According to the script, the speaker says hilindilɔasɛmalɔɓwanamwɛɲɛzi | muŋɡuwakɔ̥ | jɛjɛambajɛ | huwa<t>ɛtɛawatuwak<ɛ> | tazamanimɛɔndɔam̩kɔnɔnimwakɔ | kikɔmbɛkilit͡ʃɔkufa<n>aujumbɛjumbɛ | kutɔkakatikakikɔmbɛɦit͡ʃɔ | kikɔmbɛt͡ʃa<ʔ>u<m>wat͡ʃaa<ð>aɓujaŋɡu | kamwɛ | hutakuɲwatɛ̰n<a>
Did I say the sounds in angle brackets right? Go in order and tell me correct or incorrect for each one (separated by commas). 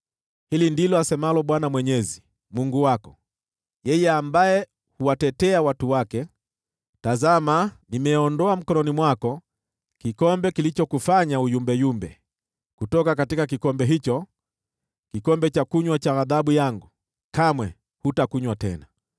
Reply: correct, correct, incorrect, incorrect, incorrect, correct, correct